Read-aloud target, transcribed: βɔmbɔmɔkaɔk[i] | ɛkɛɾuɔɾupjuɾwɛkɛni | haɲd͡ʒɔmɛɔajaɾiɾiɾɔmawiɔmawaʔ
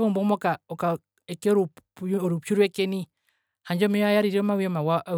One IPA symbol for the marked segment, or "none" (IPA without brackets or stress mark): a